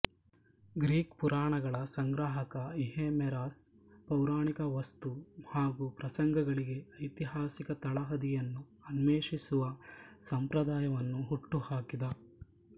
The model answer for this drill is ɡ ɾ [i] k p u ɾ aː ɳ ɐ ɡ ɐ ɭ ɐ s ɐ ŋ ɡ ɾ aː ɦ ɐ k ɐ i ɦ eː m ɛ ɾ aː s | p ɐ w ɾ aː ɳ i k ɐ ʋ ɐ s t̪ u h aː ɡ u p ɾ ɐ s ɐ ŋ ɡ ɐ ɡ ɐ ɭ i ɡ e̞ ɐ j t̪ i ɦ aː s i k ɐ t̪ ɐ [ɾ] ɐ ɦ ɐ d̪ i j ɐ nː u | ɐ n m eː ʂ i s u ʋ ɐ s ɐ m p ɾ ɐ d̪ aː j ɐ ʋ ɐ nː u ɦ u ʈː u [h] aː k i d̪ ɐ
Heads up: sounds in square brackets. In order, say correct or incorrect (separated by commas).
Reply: incorrect, incorrect, correct